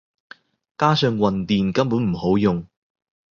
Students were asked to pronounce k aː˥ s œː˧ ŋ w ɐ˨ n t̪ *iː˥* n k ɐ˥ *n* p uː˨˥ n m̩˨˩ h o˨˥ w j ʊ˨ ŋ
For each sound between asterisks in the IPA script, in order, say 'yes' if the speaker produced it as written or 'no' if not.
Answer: no, no

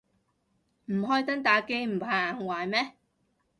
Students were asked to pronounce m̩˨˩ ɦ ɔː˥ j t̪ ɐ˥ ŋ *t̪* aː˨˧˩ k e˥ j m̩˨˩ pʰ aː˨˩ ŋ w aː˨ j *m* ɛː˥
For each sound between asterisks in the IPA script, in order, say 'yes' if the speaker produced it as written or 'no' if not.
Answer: yes, yes

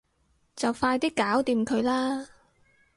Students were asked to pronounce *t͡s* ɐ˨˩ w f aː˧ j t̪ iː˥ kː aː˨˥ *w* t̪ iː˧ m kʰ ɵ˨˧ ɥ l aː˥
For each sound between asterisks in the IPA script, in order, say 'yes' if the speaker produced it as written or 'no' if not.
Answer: yes, yes

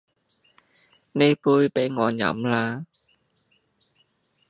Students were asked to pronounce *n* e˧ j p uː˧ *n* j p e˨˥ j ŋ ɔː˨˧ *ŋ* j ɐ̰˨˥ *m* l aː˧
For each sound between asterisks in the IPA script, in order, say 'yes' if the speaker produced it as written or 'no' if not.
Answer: yes, no, no, yes

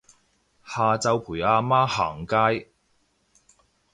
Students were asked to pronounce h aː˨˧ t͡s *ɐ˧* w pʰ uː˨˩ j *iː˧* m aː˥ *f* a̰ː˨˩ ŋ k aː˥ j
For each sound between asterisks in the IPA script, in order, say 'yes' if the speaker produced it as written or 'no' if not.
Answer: yes, no, no

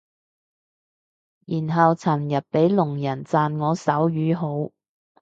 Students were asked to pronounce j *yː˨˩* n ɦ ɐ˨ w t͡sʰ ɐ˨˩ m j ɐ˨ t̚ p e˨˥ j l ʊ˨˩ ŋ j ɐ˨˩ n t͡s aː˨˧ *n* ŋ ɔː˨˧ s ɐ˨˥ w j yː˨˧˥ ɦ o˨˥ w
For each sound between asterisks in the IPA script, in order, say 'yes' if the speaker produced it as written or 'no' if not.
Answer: no, yes

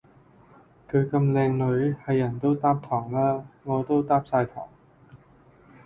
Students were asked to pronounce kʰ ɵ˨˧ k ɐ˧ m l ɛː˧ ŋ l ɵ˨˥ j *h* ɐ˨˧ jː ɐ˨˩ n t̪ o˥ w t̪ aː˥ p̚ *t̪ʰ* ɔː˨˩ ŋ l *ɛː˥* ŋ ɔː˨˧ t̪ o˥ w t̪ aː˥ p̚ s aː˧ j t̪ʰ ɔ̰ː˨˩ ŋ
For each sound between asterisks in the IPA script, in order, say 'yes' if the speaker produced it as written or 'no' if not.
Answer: yes, yes, no

